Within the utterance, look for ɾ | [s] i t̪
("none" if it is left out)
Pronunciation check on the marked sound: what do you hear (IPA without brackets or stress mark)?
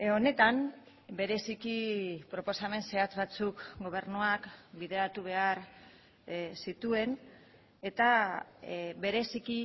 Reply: s